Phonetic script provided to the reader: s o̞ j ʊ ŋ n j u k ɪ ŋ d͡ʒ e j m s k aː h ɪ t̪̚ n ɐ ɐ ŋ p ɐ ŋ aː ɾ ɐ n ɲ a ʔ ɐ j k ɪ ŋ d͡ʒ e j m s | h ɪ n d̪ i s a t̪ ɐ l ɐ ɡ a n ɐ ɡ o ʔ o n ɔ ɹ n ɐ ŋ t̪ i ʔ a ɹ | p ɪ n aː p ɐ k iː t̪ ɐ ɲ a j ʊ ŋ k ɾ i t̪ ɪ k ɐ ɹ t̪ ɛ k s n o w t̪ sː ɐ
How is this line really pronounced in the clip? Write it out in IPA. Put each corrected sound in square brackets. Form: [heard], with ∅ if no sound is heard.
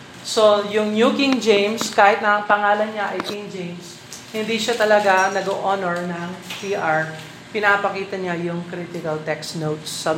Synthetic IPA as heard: s o̞ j ʊ ŋ n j u k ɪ ŋ d͡ʒ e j m s k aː h ɪ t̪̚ n ɐ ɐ ŋ p ɐ ŋ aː [l] ɐ n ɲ a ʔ ɐ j k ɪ ŋ d͡ʒ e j m s | h ɪ n d̪ i [ʃ] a t̪ ɐ l ɐ ɡ a n ɐ ɡ o ʔ o n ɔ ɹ n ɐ ŋ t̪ i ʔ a ɹ | p ɪ n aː p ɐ k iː t̪ ɐ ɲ a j ʊ ŋ k ɾ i t̪ ɪ k ɐ [l] t̪ ɛ k s n o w t̪ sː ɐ